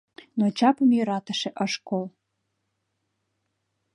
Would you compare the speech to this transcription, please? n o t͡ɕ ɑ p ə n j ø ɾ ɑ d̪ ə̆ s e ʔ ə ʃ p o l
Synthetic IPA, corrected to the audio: n o t͡ɕ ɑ p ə m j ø ɾ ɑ t̪ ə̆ ʃ e ʔ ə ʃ k o l

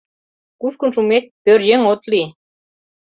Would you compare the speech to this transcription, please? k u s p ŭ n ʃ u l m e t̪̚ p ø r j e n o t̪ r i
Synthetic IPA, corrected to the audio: k u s k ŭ n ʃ u m e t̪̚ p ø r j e ŋ o t̪ l i

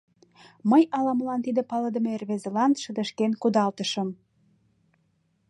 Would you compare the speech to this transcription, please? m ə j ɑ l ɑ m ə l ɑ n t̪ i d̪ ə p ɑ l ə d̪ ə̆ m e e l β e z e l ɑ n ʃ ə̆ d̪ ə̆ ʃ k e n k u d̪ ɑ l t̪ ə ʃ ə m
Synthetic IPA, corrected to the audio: m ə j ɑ l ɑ m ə l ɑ n t̪ i d̪ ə p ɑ l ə d̪ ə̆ m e e r β e z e l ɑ n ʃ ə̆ d̪ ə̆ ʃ k e n k u d̪ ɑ l t̪ ə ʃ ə m

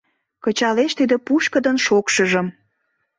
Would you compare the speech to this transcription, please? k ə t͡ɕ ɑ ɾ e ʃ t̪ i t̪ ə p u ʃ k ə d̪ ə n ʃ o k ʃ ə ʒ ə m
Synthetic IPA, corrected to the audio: k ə t͡ɕ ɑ l e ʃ t̪ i d̪ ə p u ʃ k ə d̪ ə n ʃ o k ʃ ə ʒ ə m

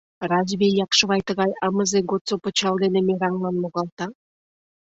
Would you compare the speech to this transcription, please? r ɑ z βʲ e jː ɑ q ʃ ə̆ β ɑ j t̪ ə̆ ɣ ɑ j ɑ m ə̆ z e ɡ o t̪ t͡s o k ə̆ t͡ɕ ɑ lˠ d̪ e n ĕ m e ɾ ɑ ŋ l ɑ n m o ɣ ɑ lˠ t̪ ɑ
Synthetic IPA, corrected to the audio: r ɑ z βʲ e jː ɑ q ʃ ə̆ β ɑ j t̪ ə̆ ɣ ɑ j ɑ m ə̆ z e ɡ o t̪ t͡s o p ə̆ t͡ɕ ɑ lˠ d̪ e n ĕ m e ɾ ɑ ŋ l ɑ n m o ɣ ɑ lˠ t̪ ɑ

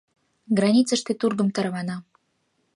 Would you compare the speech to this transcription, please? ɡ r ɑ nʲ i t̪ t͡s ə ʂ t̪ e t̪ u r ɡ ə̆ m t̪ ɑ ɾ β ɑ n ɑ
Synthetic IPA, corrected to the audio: ɡ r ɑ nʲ i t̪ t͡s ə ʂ t̪ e t̪ u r ɡ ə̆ m t̪ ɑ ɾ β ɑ n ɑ

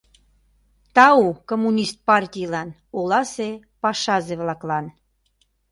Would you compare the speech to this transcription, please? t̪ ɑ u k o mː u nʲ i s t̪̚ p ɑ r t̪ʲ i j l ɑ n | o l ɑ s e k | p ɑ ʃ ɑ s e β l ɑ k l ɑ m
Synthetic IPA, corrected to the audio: t̪ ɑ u k o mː u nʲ i s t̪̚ p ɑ r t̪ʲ i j l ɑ n | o l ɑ s e | p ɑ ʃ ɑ z e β l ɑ k l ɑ n

